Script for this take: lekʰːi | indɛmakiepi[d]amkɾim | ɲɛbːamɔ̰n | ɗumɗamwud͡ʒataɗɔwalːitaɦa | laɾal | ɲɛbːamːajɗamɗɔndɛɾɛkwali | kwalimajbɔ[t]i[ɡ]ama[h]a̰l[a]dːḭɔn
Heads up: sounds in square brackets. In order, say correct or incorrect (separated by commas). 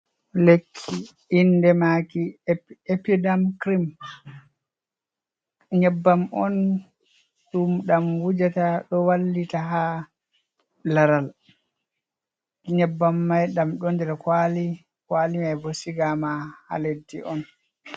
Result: correct, incorrect, correct, correct, incorrect